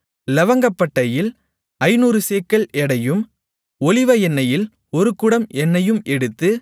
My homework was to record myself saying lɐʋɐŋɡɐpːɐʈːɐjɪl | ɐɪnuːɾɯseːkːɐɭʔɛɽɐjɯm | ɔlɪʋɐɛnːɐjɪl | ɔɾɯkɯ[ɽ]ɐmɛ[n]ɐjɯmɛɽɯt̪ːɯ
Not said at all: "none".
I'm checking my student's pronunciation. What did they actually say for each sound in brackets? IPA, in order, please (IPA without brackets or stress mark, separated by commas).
ɽ, nː